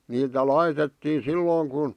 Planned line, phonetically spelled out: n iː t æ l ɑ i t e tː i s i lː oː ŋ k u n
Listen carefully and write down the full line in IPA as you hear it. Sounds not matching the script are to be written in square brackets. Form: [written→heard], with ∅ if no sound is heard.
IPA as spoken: n iː t æ l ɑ i t e tː [i→iː] s i lː oː ŋ k u n